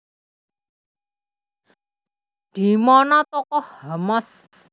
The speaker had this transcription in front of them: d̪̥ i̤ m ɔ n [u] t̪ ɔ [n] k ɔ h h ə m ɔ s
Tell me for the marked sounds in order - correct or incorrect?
incorrect, incorrect

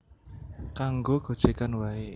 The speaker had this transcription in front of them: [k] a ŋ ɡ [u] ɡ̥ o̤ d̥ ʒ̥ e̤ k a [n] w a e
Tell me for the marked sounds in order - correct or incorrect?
correct, incorrect, correct

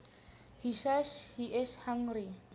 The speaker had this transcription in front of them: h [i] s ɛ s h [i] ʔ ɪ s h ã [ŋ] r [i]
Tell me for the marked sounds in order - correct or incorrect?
correct, correct, correct, correct

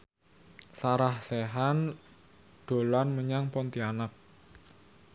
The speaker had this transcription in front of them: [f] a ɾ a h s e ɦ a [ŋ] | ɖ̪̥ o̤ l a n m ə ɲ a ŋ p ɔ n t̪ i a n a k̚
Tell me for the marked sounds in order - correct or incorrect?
incorrect, incorrect

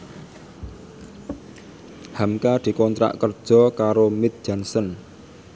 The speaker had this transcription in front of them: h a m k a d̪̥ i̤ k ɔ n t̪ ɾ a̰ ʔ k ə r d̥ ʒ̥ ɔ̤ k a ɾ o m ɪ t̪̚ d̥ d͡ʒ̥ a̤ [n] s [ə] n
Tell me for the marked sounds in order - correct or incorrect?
correct, correct

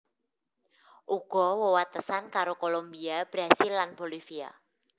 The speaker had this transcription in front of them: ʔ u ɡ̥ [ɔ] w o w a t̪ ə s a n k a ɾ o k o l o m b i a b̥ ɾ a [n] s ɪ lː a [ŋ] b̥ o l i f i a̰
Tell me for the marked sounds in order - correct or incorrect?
correct, incorrect, incorrect

